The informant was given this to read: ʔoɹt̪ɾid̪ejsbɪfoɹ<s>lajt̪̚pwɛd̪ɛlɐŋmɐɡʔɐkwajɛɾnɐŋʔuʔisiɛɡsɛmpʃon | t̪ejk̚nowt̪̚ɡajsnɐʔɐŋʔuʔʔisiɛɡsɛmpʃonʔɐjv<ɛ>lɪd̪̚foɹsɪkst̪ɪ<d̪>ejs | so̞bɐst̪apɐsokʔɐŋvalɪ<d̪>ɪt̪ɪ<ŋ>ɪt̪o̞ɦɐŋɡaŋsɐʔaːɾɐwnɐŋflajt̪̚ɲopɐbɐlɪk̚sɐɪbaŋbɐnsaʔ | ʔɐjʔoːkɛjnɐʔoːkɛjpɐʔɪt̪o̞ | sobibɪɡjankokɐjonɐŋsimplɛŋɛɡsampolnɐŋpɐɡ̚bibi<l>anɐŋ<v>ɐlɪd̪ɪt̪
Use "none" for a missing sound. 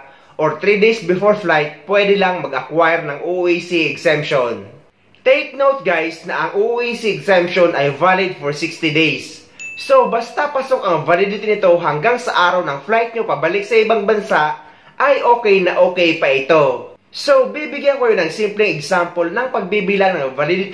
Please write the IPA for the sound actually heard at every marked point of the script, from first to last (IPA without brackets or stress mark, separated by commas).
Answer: f, a, d̪, d̪, n, l, v